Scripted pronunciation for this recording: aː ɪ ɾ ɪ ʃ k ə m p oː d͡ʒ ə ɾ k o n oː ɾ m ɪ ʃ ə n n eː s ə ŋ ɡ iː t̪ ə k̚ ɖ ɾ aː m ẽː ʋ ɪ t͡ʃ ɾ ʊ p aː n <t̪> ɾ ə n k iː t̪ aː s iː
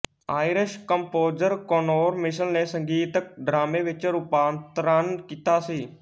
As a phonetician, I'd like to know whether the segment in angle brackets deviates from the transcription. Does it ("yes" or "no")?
no